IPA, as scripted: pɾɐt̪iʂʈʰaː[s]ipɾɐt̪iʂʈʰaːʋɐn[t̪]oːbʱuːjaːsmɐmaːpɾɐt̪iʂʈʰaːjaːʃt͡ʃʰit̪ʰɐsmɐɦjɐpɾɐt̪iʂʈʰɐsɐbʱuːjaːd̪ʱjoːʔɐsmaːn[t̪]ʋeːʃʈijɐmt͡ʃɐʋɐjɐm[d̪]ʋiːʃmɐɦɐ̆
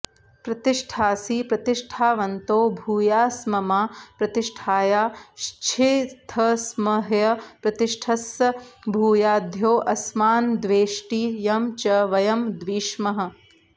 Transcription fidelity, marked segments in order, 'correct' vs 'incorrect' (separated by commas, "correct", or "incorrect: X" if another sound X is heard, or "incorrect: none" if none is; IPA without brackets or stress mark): correct, correct, incorrect: d̪, correct